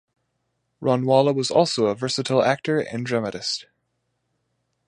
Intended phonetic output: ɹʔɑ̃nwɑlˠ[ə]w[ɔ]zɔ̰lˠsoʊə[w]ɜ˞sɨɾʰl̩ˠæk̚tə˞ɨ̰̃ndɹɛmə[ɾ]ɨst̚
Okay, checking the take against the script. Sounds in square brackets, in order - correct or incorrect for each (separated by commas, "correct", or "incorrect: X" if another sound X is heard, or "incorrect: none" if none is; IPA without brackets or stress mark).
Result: correct, incorrect: ʌ, incorrect: v, correct